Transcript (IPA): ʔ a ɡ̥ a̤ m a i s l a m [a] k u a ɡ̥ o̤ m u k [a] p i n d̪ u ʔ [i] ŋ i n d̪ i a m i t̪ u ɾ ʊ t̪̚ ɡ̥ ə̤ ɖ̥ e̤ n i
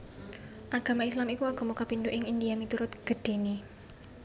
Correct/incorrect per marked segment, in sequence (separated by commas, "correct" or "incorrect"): incorrect, correct, incorrect